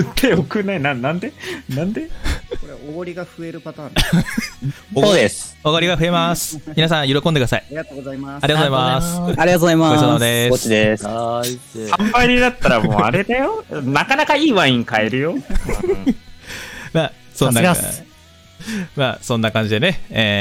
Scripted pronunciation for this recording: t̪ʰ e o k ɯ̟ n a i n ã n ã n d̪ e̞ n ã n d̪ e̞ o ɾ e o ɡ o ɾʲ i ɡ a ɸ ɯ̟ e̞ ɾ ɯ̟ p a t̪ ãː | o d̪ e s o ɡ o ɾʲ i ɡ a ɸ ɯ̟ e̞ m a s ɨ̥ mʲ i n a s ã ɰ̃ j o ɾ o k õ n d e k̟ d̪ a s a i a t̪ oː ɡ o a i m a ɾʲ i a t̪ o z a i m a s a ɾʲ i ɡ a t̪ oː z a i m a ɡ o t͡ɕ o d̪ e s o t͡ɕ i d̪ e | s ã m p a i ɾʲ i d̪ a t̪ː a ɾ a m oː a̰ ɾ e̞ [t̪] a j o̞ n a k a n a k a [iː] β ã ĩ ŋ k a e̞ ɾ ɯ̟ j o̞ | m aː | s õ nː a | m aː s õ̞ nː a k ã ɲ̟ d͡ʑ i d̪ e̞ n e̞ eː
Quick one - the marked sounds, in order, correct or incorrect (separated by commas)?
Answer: incorrect, correct